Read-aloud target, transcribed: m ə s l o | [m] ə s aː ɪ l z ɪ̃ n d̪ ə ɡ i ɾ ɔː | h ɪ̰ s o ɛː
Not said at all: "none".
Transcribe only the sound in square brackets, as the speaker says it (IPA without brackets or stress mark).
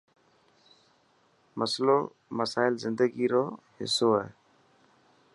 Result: m